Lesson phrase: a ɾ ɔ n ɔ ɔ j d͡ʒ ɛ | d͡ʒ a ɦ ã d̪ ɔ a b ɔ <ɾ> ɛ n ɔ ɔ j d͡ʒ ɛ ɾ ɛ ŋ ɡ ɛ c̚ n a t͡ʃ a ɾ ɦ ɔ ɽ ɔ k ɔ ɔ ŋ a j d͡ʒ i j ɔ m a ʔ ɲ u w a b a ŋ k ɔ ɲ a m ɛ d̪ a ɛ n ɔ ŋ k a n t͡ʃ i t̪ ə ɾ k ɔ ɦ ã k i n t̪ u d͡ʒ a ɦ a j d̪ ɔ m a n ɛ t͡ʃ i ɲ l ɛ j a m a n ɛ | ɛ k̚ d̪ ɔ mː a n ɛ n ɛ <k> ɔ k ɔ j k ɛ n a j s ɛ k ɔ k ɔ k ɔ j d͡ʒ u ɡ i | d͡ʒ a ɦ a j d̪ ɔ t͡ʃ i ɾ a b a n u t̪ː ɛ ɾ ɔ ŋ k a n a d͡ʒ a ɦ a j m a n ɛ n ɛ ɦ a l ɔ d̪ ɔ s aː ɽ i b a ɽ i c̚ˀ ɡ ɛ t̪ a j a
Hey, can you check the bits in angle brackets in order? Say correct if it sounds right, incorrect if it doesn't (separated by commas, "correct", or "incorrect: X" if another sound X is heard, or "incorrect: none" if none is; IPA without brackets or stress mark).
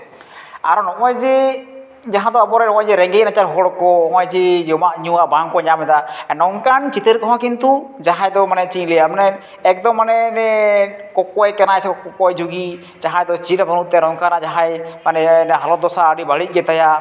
correct, correct